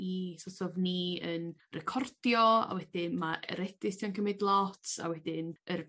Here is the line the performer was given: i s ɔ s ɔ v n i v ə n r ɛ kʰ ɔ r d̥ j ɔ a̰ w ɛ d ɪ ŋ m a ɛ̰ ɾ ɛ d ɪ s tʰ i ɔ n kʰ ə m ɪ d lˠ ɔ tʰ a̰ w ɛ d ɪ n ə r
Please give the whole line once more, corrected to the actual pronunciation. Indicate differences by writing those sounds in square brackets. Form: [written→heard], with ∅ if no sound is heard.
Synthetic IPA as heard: i s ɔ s ɔ v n i [v→∅] ə n r ɛ kʰ ɔ r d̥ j ɔ a̰ w ɛ d ɪ [ŋ→n] m a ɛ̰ ɾ ɛ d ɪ s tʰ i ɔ n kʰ ə m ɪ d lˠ ɔ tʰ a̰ w ɛ d ɪ n ə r